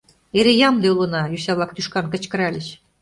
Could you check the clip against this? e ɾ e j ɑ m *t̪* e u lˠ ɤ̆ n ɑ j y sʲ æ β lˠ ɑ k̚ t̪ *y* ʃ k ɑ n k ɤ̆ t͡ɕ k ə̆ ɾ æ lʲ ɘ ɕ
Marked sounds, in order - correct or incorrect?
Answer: incorrect: d̪, correct

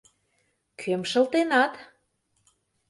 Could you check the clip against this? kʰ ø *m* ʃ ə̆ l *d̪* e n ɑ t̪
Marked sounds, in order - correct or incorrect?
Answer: correct, incorrect: t̪

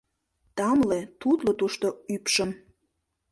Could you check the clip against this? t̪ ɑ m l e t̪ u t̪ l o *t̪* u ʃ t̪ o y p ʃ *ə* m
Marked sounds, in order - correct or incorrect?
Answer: correct, correct

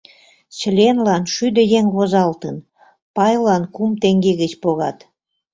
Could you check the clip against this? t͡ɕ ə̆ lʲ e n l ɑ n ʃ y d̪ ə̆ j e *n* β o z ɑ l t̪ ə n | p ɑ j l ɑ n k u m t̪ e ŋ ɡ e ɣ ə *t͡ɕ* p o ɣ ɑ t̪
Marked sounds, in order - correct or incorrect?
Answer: incorrect: ŋ, correct

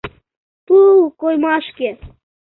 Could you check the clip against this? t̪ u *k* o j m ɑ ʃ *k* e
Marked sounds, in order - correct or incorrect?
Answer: correct, correct

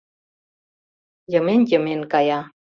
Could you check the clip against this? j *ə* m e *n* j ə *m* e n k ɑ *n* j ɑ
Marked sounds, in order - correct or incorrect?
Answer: correct, correct, correct, incorrect: none

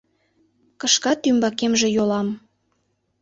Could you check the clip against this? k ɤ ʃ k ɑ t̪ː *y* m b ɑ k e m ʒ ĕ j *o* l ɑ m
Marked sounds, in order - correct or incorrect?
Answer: correct, correct

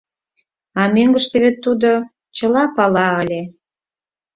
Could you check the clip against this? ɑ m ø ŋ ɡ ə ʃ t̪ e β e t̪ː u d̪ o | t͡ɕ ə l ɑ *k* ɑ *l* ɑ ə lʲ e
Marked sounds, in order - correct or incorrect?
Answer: incorrect: p, correct

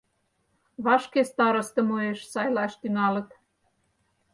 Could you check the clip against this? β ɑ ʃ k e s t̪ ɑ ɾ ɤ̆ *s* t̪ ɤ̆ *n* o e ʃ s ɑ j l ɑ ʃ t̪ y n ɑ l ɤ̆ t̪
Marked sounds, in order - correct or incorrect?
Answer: correct, incorrect: m

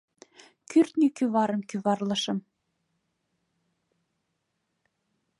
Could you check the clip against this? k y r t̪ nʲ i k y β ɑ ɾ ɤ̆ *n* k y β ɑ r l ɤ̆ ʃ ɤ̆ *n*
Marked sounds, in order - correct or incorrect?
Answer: incorrect: m, incorrect: m

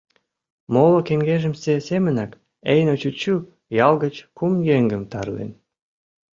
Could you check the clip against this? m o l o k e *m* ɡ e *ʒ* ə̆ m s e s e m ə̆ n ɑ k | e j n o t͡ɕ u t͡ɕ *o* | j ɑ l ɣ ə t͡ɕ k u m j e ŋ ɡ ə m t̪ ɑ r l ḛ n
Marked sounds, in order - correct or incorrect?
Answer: incorrect: ŋ, correct, incorrect: u

